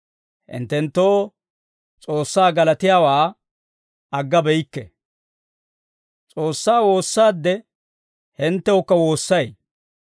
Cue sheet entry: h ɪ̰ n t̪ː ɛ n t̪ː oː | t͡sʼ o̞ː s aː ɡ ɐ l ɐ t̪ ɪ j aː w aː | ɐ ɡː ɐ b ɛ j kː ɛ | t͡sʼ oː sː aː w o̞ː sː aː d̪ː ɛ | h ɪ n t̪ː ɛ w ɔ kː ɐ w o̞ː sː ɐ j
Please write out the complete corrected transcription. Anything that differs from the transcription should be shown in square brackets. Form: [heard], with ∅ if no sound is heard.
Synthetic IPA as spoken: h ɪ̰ n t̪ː ɛ n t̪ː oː | t͡sʼ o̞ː [sː] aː ɡ ɐ l ɐ t̪ ɪ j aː w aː | ɐ ɡː ɐ b ɛ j kː ɛ | t͡sʼ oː sː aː w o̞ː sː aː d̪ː ɛ | h ɪ n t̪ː ɛ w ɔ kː ɐ w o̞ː sː ɐ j